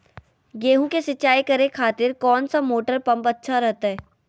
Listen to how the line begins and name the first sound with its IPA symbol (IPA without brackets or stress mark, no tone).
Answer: ɡ